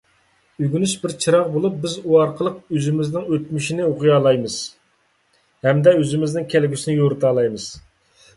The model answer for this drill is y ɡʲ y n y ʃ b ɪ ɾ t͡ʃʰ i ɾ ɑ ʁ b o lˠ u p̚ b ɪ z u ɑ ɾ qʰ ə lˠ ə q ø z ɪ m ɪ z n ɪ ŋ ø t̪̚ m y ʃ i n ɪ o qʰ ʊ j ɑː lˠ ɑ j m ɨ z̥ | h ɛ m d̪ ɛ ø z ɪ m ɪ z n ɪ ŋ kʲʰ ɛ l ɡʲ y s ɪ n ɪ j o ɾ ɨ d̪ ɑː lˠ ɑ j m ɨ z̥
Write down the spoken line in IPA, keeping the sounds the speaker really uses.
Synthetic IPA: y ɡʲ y n y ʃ b ɪ ɾ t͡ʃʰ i ɾ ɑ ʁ b o lˠ u p̚ b ɪ z u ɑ ɾ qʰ ə lˠ ə q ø z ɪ m ɪ z n ɪ ŋ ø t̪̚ m y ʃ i n ɪ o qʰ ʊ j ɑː lˠ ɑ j m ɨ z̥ | h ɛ m d̪ ɛ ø z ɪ m ɪ z n ɪ ŋ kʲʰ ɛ l ɡʲ y s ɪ n ɪ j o ɾ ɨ t̪ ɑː lˠ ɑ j m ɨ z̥